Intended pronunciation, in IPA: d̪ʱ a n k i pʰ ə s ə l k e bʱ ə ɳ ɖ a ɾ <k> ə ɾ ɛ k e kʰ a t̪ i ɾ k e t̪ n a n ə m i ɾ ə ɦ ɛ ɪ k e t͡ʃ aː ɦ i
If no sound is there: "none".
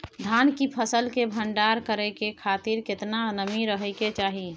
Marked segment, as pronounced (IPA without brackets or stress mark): k